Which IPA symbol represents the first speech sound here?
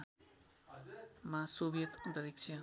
m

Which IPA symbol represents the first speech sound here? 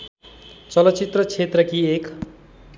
t͡s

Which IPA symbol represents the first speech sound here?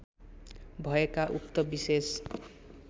bʱ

